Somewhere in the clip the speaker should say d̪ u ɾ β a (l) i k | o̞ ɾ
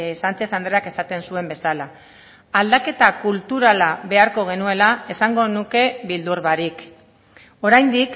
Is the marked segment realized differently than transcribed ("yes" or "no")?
yes